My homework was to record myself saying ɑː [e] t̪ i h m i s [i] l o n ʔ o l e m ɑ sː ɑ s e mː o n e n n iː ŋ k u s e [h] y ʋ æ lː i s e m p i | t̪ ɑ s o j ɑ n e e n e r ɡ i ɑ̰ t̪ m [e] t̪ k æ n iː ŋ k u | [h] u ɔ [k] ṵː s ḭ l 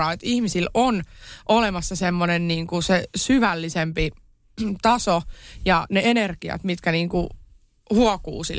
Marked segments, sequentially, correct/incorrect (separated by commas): correct, correct, incorrect, incorrect, correct, correct